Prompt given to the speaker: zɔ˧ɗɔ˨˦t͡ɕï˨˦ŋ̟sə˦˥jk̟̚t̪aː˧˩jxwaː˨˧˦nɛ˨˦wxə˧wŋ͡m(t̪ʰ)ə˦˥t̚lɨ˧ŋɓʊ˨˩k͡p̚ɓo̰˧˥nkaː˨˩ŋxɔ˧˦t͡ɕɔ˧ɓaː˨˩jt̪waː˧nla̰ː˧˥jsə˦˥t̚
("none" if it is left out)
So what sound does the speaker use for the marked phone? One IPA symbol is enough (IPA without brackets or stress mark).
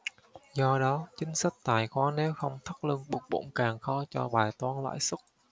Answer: t̪ʰ